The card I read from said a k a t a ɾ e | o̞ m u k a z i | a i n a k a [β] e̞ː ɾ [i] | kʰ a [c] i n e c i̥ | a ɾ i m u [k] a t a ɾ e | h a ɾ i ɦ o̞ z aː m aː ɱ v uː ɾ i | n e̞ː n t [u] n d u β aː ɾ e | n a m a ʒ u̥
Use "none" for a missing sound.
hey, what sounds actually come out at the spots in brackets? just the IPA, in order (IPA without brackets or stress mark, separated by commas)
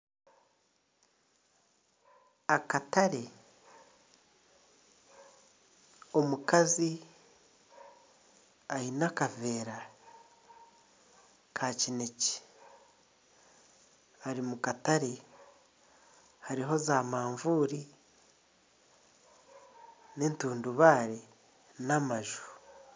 v, a, c, k, uː